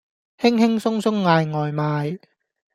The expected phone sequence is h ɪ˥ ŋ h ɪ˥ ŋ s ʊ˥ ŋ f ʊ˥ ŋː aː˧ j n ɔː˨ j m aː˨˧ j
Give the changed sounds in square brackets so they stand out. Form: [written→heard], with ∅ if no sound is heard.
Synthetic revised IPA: h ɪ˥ ŋ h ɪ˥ ŋ s ʊ˥ ŋ [f→s] ʊ˥ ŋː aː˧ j [n→ŋ] ɔː˨ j m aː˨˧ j